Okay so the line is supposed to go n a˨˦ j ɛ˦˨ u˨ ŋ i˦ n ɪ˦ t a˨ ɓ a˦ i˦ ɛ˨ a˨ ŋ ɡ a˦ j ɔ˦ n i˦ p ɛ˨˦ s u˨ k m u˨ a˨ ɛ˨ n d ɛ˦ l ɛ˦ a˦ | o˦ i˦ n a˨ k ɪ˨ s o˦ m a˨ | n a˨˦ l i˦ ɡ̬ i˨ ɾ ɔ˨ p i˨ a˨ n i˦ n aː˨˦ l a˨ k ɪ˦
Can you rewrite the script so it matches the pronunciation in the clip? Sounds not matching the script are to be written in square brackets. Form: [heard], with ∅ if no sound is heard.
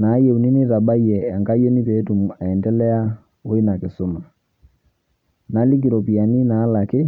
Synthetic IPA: n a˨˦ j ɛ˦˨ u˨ [n] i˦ n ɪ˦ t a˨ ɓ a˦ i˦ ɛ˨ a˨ ŋ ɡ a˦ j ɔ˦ n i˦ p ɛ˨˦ [t] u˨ [∅] m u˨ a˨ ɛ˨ n d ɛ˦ l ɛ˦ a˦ | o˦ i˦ n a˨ k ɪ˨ s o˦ m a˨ | n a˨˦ l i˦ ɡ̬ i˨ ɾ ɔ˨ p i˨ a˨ n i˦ n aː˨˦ l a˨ k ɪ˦

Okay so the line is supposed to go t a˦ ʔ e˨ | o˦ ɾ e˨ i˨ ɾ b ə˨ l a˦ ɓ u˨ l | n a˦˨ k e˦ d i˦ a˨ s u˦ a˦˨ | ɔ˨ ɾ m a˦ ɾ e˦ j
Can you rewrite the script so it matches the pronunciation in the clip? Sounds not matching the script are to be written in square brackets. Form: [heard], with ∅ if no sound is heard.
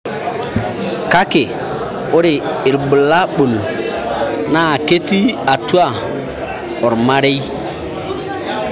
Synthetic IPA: [k] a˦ [k] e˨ | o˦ ɾ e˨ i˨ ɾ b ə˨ l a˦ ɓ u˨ l | n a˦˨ k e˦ [t] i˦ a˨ [t] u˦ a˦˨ | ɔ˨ ɾ m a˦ ɾ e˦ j

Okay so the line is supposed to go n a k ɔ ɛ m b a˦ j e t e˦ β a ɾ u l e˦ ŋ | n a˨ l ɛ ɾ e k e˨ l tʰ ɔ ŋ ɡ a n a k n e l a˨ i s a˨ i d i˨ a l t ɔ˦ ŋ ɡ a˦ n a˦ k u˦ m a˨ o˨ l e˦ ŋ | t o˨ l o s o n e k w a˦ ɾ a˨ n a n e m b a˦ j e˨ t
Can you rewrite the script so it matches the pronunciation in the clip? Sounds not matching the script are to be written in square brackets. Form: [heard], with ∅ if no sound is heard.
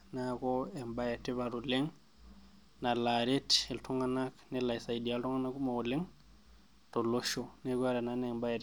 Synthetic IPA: n a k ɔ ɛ m b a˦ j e t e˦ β a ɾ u l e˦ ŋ | n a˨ l [a] ɾ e [t] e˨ l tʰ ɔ ŋ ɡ a n a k n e l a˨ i s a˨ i d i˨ a l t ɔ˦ ŋ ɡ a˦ n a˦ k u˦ m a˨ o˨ l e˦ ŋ | t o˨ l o [ʃ] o n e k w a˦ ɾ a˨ n a n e m b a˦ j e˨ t

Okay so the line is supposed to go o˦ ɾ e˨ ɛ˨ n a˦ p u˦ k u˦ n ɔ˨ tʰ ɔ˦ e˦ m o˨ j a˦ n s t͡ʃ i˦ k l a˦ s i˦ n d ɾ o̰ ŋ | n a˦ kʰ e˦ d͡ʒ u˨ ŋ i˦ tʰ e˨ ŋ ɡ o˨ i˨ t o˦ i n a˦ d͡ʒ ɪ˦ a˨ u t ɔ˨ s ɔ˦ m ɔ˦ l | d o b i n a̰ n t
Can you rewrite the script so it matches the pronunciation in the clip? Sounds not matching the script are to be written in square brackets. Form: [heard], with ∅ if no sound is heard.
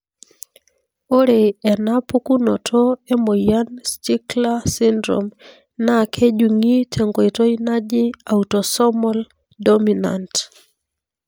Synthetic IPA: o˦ ɾ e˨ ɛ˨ n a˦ p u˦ k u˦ n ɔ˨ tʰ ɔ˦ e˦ m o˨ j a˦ n s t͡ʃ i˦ k l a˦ s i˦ n d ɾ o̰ [m] | n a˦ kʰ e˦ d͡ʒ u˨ ŋ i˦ tʰ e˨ ŋ ɡ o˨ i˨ t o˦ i n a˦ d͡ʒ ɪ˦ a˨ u t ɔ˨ s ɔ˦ m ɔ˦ l | d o [m] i n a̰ n t

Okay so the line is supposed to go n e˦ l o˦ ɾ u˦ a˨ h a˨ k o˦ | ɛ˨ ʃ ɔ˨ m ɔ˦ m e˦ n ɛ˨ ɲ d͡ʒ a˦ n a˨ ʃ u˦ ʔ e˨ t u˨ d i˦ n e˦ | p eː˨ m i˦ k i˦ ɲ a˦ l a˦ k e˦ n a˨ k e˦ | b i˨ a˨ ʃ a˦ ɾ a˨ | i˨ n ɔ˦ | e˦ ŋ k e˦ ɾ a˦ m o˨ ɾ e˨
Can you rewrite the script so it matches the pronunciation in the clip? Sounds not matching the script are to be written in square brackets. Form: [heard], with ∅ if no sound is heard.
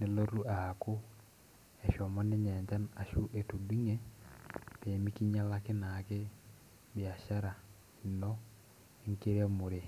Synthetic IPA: n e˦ l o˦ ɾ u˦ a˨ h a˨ k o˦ | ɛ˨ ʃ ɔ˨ m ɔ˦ [n] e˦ [ɲ] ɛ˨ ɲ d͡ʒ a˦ n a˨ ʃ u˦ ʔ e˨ t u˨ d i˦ [ŋ] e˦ | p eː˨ m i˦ k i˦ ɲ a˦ l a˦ k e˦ n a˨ k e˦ | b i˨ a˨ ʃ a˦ ɾ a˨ | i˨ n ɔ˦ | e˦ ŋ k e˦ ɾ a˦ m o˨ ɾ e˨

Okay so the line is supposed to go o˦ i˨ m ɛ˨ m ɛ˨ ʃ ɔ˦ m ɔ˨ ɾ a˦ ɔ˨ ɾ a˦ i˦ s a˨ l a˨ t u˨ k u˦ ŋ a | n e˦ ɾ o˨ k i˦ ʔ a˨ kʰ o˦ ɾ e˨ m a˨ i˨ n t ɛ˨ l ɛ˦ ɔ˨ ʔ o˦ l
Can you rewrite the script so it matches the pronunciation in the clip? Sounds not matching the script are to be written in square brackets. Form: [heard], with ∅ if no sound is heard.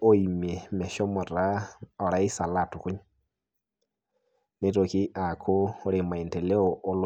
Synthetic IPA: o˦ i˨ m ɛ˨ m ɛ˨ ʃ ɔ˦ m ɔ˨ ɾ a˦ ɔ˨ ɾ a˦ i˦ s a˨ l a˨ t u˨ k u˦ [ɲ] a | n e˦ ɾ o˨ k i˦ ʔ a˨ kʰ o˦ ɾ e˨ m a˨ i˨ n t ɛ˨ l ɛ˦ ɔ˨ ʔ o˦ l

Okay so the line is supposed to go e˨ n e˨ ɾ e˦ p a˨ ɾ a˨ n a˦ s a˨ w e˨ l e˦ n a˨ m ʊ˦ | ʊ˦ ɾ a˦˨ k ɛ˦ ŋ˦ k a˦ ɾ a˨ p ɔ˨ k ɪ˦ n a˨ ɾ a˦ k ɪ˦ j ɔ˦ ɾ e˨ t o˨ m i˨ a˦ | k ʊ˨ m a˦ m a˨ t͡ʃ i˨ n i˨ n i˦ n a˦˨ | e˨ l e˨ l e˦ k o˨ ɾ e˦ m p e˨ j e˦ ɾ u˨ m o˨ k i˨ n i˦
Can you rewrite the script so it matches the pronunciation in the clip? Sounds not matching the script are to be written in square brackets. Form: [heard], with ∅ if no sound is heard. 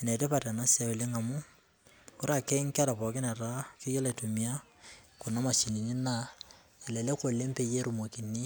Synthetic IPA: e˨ n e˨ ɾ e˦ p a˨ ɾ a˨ n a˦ s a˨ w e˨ l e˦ [ŋ] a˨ m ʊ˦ | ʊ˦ ɾ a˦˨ k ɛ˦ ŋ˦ k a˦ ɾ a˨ p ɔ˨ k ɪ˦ n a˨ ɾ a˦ k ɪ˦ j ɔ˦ [l] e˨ t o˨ m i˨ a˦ | k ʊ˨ [n] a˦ m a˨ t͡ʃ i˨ n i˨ n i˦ n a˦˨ | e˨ l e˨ l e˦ k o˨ [l] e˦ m p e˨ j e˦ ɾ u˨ m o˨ k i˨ n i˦

